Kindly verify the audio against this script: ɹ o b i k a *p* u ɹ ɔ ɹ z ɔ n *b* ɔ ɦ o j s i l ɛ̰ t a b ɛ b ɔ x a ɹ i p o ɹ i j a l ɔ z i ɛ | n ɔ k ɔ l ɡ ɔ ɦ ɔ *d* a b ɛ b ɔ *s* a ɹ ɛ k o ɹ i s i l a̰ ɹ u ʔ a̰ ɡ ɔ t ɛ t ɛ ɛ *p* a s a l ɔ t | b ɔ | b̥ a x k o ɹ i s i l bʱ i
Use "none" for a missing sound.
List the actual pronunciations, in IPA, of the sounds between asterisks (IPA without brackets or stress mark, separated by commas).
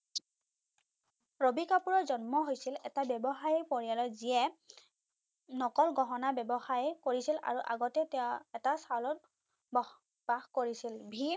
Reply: p, m, n, x, t